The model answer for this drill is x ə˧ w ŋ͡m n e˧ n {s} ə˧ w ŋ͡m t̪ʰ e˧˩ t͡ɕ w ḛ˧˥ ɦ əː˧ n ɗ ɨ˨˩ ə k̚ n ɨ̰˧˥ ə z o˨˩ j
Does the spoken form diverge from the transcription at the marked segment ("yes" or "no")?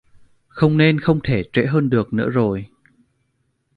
yes